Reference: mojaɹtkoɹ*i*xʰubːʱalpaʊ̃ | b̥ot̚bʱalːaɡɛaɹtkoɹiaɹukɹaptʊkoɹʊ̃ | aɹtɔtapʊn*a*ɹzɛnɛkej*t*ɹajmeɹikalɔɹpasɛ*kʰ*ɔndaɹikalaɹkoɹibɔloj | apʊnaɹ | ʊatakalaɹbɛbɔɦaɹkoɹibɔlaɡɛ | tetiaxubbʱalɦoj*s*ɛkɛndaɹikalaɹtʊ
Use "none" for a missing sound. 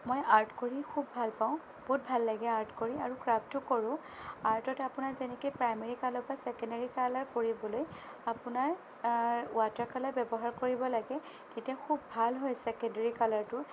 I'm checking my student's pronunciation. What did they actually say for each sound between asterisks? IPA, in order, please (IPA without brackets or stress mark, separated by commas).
i, a, p, k, s